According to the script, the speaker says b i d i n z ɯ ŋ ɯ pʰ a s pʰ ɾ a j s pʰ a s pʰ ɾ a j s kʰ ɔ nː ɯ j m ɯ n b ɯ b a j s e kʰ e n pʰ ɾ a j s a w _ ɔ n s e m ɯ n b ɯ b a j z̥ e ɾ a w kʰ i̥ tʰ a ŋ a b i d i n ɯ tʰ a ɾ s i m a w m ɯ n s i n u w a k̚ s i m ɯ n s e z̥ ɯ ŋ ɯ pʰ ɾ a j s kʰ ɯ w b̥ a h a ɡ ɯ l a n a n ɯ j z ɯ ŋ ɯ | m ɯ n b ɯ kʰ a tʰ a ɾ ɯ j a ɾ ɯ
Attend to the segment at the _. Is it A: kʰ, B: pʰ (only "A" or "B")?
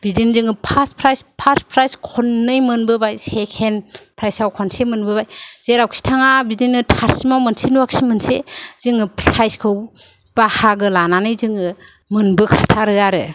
A